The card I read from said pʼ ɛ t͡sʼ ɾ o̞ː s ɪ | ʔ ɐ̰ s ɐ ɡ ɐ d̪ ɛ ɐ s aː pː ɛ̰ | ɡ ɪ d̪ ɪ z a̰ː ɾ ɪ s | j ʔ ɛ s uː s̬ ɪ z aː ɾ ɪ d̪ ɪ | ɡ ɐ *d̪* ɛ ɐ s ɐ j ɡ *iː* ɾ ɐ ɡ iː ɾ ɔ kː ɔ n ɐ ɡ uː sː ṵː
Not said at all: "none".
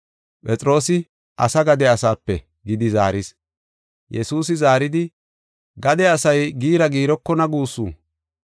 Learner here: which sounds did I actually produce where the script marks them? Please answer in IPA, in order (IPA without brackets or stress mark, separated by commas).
d̪, iː